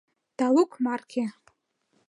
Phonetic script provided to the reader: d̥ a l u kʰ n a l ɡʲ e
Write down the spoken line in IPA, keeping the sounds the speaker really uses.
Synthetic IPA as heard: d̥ a l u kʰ m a r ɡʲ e